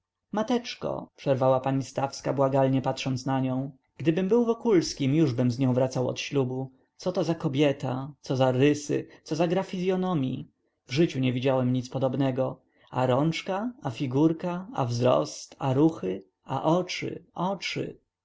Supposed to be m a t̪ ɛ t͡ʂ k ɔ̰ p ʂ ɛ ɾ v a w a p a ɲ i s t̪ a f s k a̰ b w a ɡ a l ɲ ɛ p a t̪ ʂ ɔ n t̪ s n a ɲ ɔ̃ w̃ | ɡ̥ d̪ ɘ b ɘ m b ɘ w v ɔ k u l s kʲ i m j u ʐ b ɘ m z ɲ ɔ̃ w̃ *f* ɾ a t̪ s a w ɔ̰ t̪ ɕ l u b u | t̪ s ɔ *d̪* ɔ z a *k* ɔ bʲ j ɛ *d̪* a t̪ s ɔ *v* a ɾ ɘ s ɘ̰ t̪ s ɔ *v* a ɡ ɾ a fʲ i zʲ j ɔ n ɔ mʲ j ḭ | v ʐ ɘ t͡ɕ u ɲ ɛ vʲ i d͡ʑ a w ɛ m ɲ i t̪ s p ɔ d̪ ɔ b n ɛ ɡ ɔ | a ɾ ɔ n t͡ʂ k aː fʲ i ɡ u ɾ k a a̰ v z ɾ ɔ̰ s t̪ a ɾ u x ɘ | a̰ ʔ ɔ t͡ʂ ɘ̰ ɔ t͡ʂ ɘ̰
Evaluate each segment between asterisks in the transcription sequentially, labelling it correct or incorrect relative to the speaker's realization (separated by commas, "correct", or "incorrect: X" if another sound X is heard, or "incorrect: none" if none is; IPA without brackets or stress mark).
incorrect: v, incorrect: t̪, correct, incorrect: t̪, incorrect: z, incorrect: z